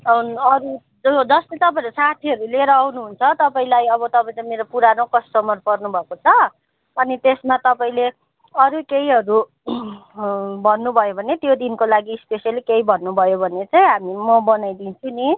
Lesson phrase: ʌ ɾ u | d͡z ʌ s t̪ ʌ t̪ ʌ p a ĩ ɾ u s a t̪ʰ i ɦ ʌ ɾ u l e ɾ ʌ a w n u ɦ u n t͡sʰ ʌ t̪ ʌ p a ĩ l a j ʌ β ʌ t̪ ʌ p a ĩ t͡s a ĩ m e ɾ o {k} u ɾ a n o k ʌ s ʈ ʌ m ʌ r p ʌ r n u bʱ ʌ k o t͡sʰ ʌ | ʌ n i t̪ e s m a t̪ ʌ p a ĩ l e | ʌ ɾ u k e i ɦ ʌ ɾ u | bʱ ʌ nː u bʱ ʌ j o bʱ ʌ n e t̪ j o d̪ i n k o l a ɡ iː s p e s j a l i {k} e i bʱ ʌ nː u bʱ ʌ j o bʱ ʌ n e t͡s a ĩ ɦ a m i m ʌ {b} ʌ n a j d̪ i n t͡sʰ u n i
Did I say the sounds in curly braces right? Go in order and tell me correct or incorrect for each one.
incorrect, correct, correct

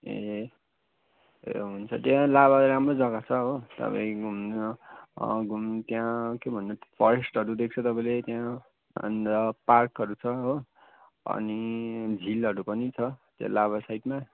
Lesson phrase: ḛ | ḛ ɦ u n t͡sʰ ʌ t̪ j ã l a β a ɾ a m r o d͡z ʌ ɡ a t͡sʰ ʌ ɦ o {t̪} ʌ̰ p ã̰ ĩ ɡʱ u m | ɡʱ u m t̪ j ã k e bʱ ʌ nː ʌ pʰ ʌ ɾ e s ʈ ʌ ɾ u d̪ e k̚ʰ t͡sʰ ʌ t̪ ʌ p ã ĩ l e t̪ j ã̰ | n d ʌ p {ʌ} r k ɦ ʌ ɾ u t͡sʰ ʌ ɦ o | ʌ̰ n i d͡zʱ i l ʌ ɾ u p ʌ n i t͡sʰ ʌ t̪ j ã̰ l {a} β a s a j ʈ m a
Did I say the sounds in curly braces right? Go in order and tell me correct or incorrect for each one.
correct, incorrect, correct

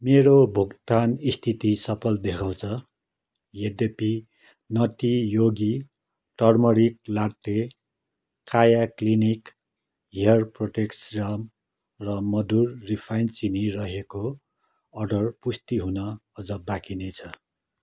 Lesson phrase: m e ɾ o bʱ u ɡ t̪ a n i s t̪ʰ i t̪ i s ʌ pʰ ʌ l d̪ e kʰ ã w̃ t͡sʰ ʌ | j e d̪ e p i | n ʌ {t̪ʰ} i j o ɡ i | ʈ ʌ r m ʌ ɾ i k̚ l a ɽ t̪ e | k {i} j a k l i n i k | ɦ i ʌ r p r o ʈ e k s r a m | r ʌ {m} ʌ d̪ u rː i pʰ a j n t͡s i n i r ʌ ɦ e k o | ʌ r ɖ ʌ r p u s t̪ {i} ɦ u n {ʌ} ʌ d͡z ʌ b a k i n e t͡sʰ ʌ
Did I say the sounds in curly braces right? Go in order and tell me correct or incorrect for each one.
incorrect, incorrect, correct, correct, correct

